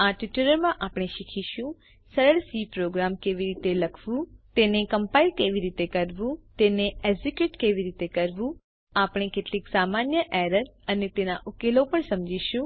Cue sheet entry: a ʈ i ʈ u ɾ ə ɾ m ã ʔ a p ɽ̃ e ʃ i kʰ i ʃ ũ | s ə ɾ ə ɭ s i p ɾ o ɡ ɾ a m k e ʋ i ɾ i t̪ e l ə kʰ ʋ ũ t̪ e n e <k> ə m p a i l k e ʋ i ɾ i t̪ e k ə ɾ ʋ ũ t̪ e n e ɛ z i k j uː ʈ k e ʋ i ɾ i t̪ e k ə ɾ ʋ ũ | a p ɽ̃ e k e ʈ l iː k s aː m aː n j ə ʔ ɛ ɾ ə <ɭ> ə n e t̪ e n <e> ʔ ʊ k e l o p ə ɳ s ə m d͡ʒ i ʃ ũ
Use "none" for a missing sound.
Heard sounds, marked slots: k, ɾ, a

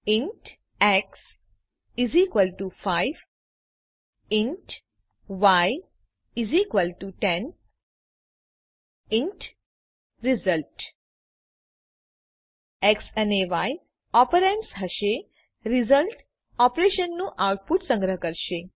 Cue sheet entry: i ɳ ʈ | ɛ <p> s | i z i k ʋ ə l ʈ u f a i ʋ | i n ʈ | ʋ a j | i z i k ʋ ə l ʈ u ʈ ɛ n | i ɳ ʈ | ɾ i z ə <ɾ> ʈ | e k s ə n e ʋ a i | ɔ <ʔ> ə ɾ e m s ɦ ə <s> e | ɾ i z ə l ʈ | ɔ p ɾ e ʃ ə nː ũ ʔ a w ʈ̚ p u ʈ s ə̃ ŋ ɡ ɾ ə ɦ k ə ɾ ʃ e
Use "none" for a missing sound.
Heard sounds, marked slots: k, l, p, ʃ

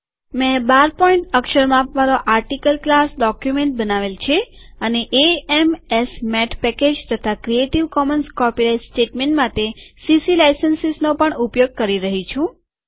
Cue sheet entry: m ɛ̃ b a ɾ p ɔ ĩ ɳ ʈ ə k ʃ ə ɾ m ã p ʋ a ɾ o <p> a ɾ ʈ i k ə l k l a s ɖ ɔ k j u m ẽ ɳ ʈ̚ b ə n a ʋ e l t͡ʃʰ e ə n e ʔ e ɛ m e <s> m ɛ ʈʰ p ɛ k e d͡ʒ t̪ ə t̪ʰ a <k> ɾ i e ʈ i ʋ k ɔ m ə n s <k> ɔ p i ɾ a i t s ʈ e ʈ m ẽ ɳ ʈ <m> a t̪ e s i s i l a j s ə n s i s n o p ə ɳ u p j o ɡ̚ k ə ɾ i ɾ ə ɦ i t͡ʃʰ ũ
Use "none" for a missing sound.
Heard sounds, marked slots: ʔ, s, k, k, m

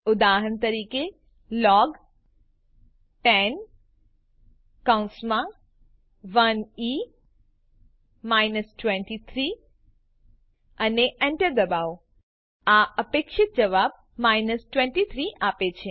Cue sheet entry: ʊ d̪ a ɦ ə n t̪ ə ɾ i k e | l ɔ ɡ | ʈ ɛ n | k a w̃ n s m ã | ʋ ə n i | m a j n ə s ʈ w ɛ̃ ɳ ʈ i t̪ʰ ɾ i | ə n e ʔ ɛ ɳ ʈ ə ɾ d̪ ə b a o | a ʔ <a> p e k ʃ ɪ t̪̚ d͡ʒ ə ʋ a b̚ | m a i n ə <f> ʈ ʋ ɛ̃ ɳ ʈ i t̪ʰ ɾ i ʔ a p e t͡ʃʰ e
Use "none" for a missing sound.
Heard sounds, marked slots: ə, s

